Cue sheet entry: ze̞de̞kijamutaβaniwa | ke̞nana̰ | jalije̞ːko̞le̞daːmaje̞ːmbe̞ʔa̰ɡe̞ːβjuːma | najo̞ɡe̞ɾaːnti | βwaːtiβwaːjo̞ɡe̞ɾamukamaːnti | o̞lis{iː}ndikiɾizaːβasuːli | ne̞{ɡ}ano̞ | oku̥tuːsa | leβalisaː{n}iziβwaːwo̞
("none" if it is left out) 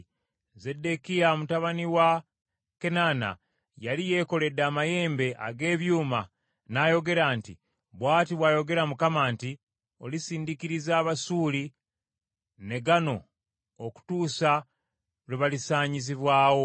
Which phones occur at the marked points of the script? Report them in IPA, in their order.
iː, ɡ, ɲ

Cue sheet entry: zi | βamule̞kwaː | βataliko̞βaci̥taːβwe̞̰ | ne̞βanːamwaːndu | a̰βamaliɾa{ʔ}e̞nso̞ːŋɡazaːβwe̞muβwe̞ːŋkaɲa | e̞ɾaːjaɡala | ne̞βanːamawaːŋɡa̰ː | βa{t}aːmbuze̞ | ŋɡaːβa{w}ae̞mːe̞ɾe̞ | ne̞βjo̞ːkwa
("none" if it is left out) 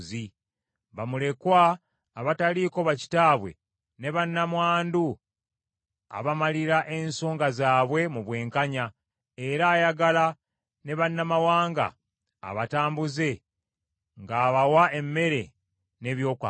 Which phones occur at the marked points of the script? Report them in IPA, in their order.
ʔ, t, w

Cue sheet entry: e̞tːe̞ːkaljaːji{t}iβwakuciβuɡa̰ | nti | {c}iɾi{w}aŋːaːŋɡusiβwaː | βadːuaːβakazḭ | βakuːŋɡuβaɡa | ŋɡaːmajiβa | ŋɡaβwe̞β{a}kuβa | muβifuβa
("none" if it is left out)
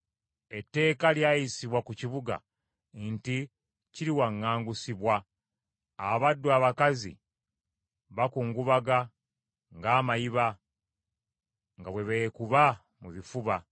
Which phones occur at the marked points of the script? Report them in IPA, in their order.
s, c, w, e

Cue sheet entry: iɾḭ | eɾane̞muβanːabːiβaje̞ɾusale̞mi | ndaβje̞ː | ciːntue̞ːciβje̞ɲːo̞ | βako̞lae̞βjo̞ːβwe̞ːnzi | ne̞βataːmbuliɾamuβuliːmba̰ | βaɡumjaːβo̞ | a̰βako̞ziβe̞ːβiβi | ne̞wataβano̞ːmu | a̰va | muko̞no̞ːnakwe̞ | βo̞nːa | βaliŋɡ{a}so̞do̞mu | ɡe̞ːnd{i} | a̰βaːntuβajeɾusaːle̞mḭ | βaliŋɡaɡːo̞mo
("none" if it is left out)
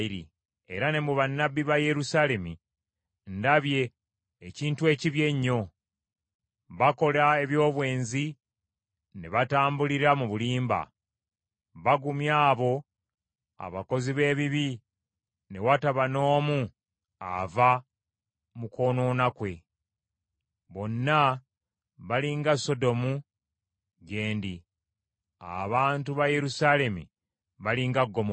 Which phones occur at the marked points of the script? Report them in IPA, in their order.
a, i

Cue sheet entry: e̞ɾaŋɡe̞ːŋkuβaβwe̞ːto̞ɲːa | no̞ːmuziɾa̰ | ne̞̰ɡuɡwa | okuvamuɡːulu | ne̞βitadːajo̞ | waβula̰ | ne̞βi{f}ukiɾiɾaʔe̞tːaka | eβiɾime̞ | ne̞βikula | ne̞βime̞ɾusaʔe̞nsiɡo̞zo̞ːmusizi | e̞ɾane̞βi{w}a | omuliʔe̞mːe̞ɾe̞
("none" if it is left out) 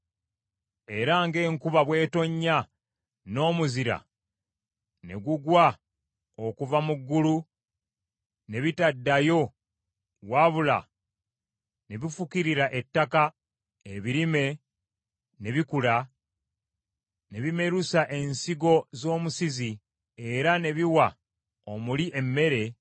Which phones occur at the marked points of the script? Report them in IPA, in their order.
f, w

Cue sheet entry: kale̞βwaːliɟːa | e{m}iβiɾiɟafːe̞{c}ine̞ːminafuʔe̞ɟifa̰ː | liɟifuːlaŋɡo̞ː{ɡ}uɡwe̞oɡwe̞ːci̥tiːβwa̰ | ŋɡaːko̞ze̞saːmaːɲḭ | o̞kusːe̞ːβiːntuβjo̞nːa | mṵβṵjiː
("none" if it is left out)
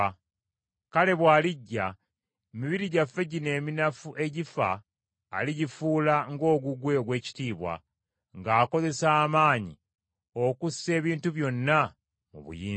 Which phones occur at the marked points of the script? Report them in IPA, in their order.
m, ɟ, ɡ

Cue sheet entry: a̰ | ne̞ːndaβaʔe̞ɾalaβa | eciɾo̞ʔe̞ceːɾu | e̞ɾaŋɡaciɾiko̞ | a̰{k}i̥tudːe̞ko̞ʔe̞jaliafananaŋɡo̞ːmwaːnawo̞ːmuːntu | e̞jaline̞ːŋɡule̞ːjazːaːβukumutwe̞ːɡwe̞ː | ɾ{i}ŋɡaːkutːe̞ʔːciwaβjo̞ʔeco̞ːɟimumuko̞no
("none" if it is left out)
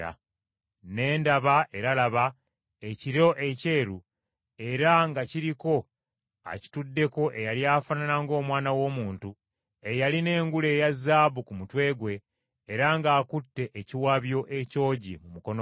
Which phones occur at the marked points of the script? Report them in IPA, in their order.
c, a

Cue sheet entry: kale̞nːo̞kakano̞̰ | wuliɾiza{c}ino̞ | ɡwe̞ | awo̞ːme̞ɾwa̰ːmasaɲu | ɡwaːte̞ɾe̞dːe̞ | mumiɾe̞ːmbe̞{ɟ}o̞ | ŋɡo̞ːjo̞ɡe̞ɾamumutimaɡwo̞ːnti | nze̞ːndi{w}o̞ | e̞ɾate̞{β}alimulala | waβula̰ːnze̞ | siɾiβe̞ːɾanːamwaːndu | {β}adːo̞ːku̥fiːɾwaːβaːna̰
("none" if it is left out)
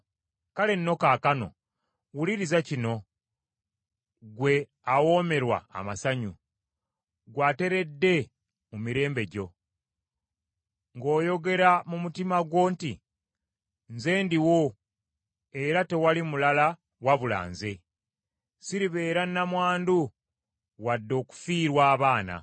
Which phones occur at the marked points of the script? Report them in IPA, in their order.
c, ɟ, w, w, w

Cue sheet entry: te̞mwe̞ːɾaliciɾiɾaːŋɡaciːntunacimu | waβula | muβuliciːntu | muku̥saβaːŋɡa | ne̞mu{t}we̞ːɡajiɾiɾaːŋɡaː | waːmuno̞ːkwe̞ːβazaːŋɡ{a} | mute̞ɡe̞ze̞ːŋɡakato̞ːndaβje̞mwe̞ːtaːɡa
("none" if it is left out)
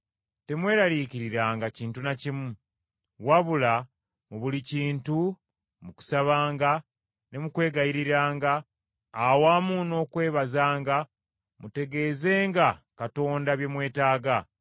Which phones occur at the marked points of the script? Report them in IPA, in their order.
k, a

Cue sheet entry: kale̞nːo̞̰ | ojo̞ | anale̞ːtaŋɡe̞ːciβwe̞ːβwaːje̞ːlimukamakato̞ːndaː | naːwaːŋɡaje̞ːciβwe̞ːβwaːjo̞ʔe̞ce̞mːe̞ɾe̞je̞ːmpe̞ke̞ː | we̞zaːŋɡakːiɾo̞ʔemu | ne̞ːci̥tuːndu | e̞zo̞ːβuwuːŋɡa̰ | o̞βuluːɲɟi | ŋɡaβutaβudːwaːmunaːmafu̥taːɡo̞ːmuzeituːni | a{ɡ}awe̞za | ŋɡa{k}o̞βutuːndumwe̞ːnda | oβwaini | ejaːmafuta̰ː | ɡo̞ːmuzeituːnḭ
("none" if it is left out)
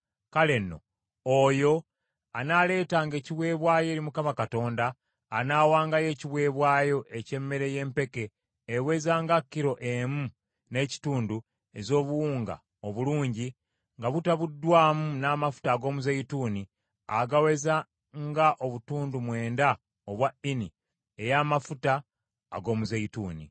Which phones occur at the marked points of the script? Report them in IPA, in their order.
ɡ, ʔ

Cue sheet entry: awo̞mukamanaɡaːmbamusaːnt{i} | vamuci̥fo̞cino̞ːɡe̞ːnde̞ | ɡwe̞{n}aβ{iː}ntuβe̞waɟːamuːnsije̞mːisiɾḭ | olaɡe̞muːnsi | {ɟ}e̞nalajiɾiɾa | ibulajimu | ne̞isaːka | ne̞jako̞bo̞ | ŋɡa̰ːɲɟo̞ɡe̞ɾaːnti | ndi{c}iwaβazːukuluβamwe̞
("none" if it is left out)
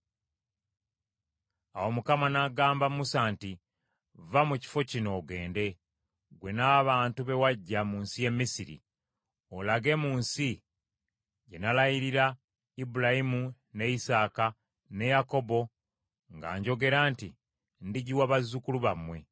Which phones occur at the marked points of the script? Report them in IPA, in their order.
i, n, aː, ɟ, ɟ

